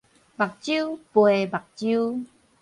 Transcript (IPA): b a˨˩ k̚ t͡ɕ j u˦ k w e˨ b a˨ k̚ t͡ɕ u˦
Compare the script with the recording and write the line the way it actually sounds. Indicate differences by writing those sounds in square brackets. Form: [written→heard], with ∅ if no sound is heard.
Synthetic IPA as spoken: b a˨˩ k̚ t͡ɕ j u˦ [k→p] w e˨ b a˨ k̚ t͡ɕ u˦